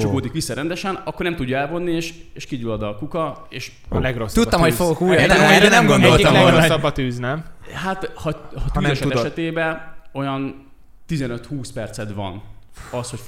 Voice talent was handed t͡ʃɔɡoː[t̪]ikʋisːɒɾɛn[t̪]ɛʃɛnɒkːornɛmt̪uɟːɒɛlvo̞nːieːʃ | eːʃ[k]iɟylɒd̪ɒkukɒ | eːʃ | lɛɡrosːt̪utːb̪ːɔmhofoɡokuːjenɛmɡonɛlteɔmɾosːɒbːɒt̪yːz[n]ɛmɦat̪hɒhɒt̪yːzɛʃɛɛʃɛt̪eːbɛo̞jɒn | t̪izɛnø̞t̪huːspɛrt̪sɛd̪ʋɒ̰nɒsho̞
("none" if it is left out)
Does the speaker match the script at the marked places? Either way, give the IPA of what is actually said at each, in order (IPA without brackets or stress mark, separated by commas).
d̪, d̪, k, n